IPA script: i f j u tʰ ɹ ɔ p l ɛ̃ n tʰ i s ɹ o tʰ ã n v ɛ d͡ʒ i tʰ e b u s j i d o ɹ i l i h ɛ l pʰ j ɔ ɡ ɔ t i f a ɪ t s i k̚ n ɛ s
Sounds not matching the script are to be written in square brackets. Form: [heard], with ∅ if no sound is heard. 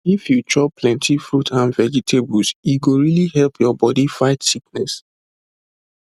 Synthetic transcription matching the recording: i f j u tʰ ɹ ɔ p l ɛ̃ n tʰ i [f] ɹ [u] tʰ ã n v ɛ d͡ʒ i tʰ e b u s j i [ɡ] o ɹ i l i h ɛ l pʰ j ɔ [b] ɔ [d] i f a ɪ t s i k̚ n ɛ s